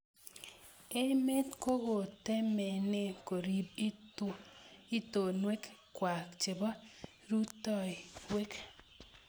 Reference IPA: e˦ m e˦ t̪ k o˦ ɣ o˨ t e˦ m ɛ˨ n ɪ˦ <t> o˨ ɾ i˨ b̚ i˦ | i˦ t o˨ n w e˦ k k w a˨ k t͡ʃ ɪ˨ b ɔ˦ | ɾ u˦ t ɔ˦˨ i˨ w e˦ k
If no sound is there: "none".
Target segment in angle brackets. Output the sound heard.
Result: k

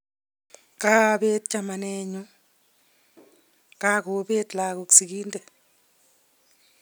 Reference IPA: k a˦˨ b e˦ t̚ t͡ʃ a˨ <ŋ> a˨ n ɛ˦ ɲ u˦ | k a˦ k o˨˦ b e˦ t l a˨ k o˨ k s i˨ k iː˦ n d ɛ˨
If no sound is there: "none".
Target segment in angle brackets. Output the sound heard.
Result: m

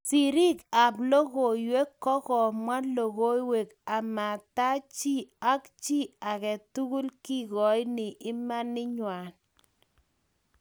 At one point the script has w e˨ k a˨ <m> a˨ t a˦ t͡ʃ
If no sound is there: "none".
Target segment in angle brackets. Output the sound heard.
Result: m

